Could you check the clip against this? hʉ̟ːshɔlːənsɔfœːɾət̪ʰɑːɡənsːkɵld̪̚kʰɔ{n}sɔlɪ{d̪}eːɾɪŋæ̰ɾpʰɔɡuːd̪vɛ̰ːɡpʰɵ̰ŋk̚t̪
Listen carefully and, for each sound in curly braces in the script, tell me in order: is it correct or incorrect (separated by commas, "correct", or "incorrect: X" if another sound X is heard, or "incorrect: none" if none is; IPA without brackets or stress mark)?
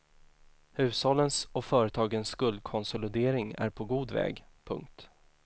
correct, correct